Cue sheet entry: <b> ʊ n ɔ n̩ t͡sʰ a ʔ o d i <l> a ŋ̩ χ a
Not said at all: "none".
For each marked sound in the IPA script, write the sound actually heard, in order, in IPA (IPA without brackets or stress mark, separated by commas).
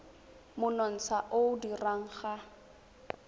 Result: m, r